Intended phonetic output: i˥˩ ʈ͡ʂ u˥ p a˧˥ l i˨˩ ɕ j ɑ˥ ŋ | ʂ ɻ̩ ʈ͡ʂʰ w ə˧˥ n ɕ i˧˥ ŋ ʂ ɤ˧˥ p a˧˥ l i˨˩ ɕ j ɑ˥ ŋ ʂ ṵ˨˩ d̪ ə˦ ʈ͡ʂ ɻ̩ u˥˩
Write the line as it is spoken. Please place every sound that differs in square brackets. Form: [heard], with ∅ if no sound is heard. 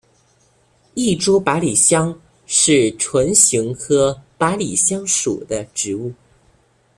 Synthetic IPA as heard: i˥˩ ʈ͡ʂ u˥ p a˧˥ l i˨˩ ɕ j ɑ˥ ŋ | ʂ ɻ̩ ʈ͡ʂʰ w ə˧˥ n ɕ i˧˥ ŋ [x] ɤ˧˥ p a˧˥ l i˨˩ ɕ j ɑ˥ ŋ ʂ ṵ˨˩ d̪ ə˦ ʈ͡ʂ ɻ̩ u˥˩